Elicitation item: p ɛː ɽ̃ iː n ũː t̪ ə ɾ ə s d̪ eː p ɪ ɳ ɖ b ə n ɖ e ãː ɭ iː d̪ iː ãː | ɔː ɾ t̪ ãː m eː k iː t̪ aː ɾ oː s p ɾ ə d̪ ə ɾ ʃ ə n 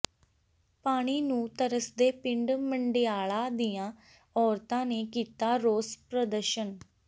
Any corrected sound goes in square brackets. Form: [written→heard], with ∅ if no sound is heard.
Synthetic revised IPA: p [ɛː→aː] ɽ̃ iː n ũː t̪ ə ɾ ə s d̪ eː p ɪ ɳ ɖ [b→m] ə [n→ɳ] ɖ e [ãː→aː] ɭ [iː→aː] d̪ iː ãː | ɔː ɾ t̪ ãː [m→n] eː k iː t̪ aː ɾ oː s p ɾ ə d̪ ə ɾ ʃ ə n